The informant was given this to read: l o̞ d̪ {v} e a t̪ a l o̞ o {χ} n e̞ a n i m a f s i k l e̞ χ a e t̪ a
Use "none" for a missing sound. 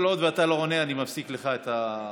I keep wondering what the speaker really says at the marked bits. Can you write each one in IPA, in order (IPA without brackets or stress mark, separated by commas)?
v, none